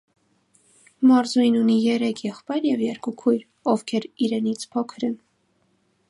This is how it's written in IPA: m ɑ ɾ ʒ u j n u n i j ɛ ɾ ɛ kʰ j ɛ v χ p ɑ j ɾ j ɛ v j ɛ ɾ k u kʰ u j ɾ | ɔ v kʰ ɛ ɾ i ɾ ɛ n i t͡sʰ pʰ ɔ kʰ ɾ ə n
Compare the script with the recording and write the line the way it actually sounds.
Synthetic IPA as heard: m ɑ ɾ z u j n u n i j ɛ ɾ ɛ kʰ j ɛ χ p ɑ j ɾ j ɛ v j ɛ ɾ k u kʰ u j ɾ | ɔ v kʰ ɛ ɾ i ɾ ɛ n i t͡sʰ pʰ ɔ kʰ ɾ ə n

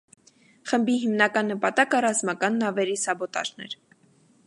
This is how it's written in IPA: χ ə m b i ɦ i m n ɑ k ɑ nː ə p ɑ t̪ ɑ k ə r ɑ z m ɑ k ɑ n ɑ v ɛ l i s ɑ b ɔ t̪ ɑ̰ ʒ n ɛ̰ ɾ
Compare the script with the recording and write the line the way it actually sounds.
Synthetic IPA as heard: χ ə m b i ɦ i m n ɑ k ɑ nː ə p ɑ t̪ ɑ k ə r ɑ z m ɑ k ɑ nː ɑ v ɛ ɾ i s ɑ b ɔ t̪ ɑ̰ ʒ n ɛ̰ ɾ

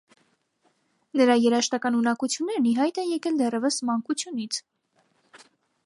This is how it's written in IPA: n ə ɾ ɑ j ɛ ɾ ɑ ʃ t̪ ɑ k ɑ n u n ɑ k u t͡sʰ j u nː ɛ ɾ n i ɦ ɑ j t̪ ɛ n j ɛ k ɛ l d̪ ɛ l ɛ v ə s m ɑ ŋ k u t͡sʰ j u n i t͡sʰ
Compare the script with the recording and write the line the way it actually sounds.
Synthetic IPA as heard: n ə ɾ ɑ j ɛ ɾ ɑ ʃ t̪ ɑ k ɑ n u n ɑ k u t͡sʰ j u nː ɛ ɾ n i ɦ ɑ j t̪ ɛ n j ɛ k ɛ l d̪ ɛ r ɛ v ə s m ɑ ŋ k u t͡sʰ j u n i t͡sʰ

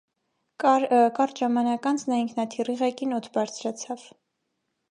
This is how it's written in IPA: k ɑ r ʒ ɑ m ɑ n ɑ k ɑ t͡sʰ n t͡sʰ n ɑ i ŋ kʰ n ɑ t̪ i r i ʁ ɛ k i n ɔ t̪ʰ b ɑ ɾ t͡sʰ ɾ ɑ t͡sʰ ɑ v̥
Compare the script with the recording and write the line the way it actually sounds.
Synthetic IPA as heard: k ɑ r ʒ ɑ m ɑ n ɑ k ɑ n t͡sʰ n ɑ i ŋ kʰ n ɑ t̪ʰ i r i ʁ ɛ k i n ɔ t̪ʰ b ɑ ɾ t͡sʰ ɾ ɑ t͡sʰ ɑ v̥

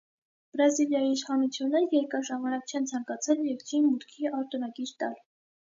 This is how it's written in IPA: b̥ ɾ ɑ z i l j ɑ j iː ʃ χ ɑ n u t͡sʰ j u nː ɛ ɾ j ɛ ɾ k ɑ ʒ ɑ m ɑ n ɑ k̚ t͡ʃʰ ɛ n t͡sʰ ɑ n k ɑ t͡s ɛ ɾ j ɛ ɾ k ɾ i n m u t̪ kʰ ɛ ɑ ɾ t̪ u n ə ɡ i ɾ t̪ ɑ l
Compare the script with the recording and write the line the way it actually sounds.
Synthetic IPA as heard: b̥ ɾ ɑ z i l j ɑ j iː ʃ χ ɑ n u t͡sʰ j u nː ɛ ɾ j ɛ ɾ k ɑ ʒ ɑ m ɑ n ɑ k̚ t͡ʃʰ ɛ n t͡sʰ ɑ ŋ k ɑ t͡sʰ ɛ l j ɛ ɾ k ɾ i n m u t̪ kʰ i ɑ ɾ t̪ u n ɑ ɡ i ɾ t̪ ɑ l

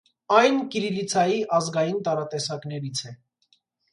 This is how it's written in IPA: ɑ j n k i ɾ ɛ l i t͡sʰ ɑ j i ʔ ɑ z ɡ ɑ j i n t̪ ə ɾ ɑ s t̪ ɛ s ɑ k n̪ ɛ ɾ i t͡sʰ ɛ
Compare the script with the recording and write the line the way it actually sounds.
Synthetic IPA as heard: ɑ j n k i ɾ i l i t͡sʰ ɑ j i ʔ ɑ z ɡ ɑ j i n t̪ ɑ ɾ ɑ t̪ ɛ s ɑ k n̪ ɛ ɾ i t͡sʰ ɛ

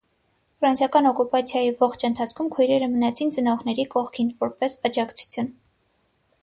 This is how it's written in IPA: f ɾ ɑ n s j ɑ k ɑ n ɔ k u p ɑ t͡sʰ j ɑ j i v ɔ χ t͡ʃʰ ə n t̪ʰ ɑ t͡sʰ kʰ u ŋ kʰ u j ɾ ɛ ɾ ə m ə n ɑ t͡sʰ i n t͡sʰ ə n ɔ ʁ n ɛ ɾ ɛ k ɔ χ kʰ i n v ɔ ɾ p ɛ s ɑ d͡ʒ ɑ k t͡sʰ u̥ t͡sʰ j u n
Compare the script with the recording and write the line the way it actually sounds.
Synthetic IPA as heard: f ɾ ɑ n s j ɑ k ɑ n ɔ k u p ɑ t͡sʰ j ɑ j i v ɔ χ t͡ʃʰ ə n t̪ʰ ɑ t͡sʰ kʰ u m kʰ u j ɾ ɛ ɾ ə m ə n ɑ t͡sʰ i n t͡s ə n ɔ ʁ n ɛ ɾ i k ɔ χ kʰ i n v ɔ ɾ p ɛ s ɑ d͡ʒ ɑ k t͡sʰ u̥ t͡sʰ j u n

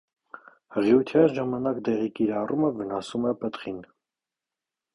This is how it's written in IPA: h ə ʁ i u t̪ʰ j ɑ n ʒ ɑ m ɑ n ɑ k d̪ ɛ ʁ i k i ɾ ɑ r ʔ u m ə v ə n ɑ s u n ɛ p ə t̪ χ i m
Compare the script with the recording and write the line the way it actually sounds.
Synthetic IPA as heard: h ə ʁ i u t̪ʰ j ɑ n ʒ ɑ m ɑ n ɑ k d̪ ɛ ʁ i k i ɾ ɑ r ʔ u m ə v ə n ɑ s u m ɛ p ə t̪ χ i n

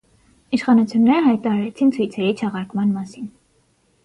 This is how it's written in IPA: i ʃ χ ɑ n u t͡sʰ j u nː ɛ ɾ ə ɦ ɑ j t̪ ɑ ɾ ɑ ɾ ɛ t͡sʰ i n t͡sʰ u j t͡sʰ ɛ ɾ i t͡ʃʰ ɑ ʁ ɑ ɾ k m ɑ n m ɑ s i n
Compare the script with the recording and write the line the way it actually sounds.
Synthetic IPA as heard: i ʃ χ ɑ n u t͡sʰ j u nː ɛ ɾ ə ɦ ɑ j t̪ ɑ ɾ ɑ ɾ ɛ t͡sʰ i n t͡sʰ u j t͡sʰ ɛ ɾ i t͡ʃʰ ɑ ʁ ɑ ɾ k m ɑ n m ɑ s i n

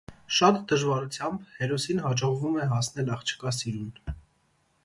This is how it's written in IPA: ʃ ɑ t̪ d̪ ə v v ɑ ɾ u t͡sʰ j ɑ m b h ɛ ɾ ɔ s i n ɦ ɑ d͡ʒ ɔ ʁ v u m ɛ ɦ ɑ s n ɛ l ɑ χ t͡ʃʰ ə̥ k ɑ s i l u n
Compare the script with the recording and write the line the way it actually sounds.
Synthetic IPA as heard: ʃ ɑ t̪ d̪ ə ʒ v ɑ ɾ u t͡sʰ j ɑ m b h ɛ ɾ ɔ s i n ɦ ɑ d͡ʒ ɔ ʁ v u m ɛ ɦ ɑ s n ɛ l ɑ χ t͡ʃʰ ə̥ k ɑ s i ɾ u n

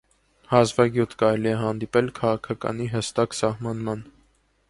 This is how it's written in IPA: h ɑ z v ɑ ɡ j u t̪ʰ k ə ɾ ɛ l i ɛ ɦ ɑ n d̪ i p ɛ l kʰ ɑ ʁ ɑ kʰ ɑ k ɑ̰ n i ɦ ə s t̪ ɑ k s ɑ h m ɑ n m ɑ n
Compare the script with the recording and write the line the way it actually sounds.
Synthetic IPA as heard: h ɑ z v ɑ ɡ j u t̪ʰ k ɑ ɾ ɛ l i ɛ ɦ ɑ n d̪ i p ɛ l kʰ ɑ ʁ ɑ kʰ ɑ k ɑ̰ n i ɦ ə s t̪ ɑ k s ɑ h m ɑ n m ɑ n

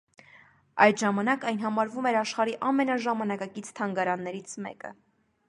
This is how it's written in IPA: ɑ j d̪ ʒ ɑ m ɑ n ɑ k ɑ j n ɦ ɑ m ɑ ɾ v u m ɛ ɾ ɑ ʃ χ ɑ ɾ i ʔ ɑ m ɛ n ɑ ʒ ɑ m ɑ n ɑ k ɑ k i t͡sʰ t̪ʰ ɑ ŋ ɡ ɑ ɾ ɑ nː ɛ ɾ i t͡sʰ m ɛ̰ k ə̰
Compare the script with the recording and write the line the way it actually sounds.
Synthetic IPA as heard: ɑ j d̪ ʒ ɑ m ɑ n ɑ k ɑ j n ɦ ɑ m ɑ ɾ v u m ɛ ɾ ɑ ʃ χ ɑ ɾ i ʔ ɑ m ɛ n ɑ ʒ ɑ m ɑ n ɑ k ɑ k i t͡sʰ t̪ʰ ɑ ŋ ɡ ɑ ɾ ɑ nː ɛ ɾ i t͡sʰ m ɛ̰ k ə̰

